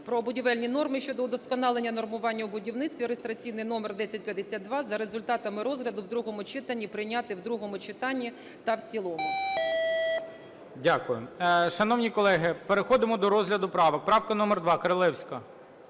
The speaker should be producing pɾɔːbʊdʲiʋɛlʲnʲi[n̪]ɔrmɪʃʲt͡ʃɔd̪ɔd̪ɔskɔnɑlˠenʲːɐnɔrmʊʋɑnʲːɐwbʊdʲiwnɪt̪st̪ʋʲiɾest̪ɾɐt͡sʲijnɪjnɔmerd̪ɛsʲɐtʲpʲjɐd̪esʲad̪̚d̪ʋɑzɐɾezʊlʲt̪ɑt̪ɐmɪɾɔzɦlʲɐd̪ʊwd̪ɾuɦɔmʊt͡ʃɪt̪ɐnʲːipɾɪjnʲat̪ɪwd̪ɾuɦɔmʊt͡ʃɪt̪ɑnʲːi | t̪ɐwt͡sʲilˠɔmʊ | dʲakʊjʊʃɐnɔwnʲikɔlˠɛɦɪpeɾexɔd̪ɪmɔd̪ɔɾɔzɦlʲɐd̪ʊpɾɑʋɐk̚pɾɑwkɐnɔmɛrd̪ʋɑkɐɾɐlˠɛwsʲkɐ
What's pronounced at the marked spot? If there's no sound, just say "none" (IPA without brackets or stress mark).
n̪